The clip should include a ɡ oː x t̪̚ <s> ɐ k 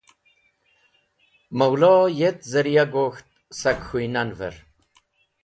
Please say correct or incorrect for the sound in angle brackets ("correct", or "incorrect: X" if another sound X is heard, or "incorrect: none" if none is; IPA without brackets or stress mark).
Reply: correct